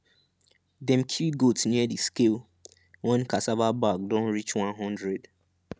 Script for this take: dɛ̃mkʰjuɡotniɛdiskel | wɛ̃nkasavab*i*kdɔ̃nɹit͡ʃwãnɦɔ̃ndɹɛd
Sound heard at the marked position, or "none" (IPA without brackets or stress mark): a